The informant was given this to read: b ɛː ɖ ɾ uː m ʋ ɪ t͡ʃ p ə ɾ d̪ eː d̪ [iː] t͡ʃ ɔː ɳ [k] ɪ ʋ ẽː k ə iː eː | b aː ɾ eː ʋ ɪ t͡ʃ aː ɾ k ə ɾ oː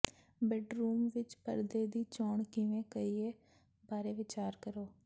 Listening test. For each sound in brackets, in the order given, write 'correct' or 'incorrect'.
correct, correct

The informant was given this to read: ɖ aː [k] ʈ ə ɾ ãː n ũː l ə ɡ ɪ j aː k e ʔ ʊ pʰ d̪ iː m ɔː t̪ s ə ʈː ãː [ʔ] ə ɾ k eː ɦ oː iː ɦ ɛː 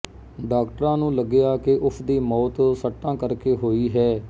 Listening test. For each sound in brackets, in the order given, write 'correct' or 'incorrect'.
correct, incorrect

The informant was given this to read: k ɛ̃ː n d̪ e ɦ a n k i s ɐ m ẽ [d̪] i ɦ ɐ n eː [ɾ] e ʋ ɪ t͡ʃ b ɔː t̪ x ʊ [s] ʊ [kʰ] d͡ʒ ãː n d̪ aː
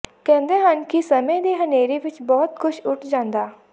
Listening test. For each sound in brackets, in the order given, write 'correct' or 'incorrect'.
correct, correct, incorrect, incorrect

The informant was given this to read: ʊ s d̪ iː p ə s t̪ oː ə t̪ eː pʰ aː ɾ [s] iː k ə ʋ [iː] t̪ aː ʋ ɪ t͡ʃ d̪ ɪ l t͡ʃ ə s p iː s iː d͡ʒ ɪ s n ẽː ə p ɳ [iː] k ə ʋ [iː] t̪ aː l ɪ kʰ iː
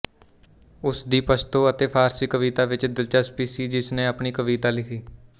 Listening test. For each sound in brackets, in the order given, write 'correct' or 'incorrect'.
correct, correct, correct, correct

